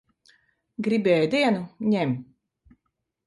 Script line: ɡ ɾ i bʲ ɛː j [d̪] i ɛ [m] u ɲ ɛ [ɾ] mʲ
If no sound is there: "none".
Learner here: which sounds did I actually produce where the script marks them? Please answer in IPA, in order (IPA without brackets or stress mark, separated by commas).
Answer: d̪, n, none